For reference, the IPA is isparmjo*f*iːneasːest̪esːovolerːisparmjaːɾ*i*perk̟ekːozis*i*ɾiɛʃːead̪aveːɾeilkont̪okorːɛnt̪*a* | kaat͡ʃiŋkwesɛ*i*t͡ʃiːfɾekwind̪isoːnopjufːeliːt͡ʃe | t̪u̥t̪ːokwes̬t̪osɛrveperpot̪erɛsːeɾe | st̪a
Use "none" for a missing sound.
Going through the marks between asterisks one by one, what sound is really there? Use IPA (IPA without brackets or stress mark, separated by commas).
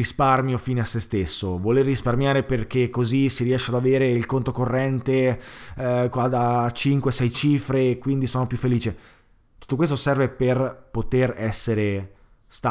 f, e, i, e, j